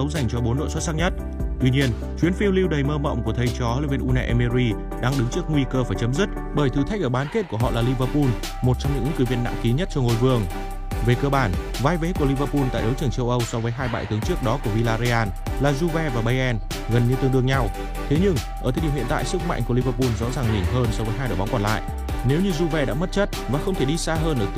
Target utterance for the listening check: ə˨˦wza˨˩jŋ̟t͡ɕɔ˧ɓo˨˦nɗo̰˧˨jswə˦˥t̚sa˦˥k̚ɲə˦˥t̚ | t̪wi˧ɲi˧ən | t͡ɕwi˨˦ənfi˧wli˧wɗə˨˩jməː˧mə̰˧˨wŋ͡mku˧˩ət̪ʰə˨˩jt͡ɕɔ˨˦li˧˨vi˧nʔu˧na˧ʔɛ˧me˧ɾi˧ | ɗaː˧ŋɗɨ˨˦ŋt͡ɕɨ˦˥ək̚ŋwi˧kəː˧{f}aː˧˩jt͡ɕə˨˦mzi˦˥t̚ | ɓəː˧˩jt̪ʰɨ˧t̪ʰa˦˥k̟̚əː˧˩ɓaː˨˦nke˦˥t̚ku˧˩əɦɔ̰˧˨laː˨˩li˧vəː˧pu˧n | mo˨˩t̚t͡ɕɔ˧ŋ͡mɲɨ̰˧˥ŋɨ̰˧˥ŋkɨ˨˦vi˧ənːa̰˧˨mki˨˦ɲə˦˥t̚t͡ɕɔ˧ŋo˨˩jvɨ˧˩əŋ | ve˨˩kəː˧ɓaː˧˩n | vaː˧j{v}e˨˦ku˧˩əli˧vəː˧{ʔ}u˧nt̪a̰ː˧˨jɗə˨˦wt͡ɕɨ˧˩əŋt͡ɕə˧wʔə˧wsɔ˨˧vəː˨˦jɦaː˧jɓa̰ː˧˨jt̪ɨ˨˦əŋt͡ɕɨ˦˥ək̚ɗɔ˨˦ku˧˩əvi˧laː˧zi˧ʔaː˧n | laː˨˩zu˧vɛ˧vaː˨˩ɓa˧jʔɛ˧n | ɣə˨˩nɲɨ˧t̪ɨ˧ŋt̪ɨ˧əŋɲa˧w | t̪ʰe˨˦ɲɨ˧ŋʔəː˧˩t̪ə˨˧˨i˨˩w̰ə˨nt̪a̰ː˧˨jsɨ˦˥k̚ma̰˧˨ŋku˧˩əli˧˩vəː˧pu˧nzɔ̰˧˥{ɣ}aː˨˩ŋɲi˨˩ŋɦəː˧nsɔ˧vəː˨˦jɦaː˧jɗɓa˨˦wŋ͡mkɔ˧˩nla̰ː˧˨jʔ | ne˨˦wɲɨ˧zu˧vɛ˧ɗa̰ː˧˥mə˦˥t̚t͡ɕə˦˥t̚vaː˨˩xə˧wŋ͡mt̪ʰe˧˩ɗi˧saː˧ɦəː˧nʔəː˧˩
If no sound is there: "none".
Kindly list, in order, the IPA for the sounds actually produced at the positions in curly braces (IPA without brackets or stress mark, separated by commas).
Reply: f, v, p, z